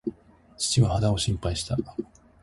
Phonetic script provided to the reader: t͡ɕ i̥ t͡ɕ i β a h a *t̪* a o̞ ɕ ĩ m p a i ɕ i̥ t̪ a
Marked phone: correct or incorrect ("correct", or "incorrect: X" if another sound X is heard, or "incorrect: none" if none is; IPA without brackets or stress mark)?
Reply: incorrect: d̪